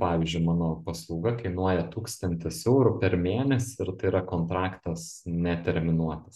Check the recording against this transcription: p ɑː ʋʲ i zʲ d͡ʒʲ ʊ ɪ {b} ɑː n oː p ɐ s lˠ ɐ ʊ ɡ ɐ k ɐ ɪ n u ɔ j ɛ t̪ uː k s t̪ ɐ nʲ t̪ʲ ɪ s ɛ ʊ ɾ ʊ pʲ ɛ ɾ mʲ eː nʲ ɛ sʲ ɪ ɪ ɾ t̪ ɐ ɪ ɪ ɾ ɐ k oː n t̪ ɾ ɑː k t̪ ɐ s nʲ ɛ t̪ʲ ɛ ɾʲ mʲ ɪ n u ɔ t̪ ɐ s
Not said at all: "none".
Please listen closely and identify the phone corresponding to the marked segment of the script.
m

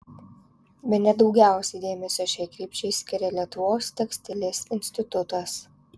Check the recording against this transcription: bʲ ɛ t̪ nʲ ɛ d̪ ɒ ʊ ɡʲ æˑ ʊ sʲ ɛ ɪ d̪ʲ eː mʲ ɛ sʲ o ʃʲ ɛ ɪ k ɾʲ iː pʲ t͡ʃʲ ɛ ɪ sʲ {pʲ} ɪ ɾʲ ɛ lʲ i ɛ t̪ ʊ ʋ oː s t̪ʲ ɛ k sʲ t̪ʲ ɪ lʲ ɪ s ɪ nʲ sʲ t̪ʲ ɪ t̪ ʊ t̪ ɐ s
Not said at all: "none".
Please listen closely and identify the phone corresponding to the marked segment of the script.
kʲ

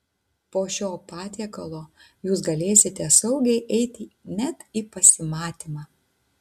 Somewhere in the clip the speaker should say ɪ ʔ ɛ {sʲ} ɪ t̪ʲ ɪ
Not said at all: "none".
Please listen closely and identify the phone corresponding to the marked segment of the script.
none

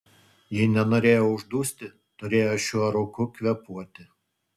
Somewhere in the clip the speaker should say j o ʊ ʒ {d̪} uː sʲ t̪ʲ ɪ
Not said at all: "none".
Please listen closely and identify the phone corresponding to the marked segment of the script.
d̪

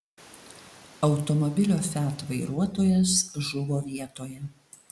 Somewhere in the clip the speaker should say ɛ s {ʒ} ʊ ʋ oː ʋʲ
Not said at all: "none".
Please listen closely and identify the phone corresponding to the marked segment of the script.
ʒ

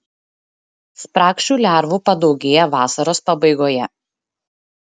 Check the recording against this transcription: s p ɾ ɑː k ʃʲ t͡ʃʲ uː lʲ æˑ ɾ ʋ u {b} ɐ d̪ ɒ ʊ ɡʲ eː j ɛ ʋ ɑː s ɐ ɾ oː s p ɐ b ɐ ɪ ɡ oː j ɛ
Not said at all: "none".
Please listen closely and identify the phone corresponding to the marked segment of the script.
p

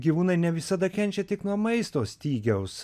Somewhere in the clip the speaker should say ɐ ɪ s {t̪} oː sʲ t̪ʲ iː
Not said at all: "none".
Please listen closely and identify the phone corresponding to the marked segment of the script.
t̪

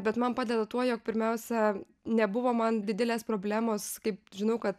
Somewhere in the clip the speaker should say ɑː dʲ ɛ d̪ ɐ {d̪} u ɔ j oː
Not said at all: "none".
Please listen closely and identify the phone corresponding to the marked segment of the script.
t̪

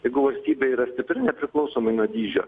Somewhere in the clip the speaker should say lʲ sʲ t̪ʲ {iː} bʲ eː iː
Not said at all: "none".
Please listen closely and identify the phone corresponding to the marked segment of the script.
iː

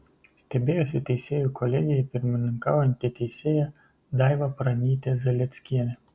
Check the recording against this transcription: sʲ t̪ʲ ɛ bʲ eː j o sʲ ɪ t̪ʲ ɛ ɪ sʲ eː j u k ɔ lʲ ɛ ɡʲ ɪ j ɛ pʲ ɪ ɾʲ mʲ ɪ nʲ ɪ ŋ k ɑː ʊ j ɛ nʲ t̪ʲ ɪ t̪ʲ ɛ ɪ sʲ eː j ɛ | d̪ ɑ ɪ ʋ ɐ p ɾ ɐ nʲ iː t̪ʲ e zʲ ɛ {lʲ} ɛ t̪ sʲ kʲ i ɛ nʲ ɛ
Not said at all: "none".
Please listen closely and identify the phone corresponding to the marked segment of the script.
lʲ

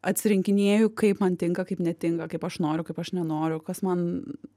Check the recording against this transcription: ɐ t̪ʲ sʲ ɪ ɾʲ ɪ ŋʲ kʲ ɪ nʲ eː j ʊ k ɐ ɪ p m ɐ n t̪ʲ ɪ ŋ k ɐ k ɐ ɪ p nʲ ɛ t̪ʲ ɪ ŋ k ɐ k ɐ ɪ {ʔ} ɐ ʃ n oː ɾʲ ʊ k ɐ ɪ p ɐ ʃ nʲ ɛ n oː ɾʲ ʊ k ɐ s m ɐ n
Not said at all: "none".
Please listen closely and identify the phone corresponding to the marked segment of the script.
p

